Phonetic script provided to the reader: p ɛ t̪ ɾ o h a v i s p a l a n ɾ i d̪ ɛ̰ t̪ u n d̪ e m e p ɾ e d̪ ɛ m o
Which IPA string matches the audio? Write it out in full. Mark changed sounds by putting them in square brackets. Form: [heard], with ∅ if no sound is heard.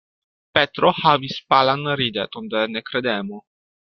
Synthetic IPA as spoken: p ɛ t̪ ɾ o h a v i s p a l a n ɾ i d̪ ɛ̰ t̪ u n d̪ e [n] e [k] ɾ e d̪ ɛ m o